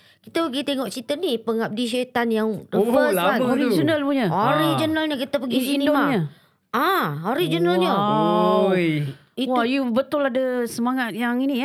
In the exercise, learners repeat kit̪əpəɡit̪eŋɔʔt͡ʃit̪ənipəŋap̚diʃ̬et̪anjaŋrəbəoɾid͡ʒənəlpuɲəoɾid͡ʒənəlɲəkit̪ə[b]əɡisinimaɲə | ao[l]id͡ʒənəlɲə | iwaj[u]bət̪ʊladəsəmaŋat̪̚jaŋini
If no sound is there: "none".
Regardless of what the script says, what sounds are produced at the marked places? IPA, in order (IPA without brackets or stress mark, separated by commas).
p, ɾ, u